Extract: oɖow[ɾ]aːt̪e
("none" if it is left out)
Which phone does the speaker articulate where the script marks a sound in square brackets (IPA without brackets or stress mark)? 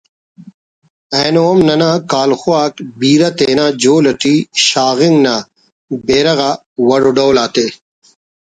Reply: l